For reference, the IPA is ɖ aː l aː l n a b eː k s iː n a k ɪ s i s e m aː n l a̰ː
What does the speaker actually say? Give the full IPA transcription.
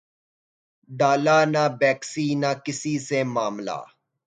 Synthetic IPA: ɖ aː l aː n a b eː k s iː n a k ɪ s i s e m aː m l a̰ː